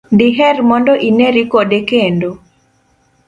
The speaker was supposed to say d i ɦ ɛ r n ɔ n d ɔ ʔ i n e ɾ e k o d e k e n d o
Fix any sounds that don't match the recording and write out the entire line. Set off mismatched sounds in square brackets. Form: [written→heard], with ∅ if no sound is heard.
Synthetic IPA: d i ɦ ɛ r [n→m] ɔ n d ɔ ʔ i n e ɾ [e→i] k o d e k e n d o